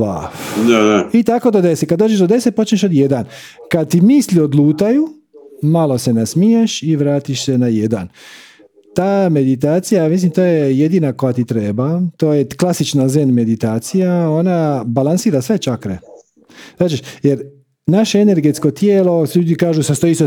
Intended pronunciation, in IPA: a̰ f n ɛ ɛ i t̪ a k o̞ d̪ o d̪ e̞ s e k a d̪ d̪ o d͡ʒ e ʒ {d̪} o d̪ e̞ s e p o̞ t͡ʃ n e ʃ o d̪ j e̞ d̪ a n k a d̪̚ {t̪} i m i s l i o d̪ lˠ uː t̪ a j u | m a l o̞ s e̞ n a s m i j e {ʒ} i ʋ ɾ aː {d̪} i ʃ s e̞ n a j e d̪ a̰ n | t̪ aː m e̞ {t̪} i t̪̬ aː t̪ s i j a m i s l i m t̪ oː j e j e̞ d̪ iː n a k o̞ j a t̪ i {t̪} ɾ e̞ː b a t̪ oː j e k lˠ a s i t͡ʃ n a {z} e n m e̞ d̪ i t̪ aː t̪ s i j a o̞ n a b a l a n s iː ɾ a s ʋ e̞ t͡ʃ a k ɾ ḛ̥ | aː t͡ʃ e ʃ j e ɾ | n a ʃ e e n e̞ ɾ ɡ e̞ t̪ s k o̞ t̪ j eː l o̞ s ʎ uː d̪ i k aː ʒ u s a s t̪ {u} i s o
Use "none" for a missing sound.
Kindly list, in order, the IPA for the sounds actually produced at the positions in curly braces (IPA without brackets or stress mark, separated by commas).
d̪, t̪, ʃ, t̪, d̪, t̪, z, o